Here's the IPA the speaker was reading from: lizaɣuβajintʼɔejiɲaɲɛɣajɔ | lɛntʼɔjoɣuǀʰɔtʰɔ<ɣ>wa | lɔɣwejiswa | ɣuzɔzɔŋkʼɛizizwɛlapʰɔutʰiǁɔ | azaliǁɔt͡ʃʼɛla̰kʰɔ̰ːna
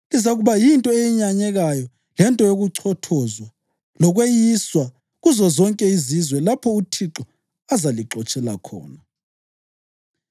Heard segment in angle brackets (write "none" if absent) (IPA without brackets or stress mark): z